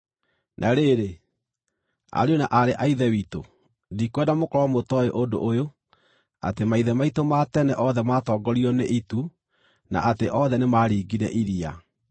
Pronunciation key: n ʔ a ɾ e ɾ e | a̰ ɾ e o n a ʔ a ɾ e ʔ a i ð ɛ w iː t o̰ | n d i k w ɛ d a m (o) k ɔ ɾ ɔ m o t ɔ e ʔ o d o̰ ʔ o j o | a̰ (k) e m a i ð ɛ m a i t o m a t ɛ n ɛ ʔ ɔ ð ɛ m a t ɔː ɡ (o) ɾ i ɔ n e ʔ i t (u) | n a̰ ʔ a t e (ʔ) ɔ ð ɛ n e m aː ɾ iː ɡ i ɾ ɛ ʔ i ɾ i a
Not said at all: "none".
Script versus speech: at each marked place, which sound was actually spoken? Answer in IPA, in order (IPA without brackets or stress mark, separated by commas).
o, t, ɔ, u, ʔ